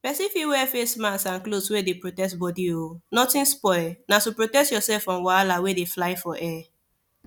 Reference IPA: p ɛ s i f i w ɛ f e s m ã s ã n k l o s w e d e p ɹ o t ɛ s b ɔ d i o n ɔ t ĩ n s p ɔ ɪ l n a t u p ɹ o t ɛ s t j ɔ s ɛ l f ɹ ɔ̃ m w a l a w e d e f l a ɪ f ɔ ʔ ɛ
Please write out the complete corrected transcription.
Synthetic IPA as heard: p ɛ s i f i w ɛ f e s m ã s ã n k l o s w e d e p ɹ o t ɛ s b ɔ d i o n ɔ t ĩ n s p ɔ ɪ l n a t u p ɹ o t ɛ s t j ɔ s ɛ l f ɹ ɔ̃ m w a l a w e d e f l a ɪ f ɔ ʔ ɛ